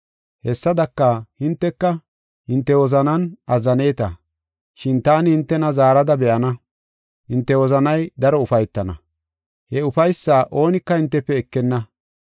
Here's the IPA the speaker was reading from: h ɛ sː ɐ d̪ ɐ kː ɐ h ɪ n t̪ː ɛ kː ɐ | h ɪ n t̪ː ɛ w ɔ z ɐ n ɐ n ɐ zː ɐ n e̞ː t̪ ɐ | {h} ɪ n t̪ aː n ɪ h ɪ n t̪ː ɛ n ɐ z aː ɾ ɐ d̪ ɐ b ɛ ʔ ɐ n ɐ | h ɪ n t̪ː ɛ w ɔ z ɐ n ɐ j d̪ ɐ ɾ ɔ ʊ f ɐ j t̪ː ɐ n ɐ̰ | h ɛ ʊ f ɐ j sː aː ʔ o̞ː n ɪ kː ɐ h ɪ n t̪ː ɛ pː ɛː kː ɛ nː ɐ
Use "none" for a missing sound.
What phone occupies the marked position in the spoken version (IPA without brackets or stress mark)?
ʃ